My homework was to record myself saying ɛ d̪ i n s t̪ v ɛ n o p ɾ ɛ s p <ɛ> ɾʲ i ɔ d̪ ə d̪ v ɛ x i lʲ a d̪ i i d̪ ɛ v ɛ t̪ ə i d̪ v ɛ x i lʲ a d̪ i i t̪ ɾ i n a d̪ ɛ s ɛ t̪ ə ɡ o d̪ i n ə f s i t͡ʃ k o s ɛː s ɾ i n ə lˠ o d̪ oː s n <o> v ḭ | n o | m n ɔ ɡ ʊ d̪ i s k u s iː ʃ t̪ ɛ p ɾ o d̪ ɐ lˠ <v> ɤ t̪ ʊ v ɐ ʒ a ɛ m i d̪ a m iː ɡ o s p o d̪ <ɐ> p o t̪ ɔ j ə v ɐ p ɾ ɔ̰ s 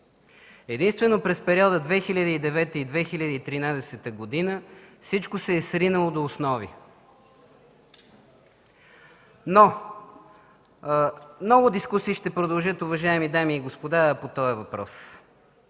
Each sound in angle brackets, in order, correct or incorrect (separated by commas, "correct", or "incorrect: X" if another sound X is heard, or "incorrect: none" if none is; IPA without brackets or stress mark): correct, incorrect: ɔ, incorrect: ʒ, incorrect: a